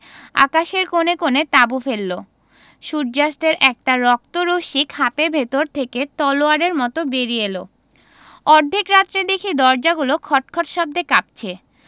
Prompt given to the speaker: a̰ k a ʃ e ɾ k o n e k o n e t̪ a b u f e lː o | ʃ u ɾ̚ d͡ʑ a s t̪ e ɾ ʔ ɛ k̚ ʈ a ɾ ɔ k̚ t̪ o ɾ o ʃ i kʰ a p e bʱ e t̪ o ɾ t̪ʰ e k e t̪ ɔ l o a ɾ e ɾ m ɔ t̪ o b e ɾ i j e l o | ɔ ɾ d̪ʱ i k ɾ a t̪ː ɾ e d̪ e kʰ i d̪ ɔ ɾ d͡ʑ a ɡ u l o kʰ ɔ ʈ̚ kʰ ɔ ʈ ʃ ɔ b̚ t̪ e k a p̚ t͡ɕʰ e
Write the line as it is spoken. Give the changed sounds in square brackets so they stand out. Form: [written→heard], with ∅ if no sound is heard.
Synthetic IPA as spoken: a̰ k a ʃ e ɾ k o n e k o n e t̪ a b u f e lː o | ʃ u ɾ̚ d͡ʑ a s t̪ e ɾ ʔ ɛ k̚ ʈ a ɾ ɔ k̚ t̪ o ɾ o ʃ i kʰ a p e bʱ e t̪ o ɾ t̪ʰ e k e t̪ ɔ l o a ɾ e ɾ m ɔ t̪ o b e ɾ i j e l o | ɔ ɾ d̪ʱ i k ɾ a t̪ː ɾ e d̪ e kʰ i d̪ ɔ ɾ d͡ʑ a ɡ u l o kʰ ɔ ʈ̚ kʰ ɔ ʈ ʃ ɔ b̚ [t̪→d̪] e k a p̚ t͡ɕʰ e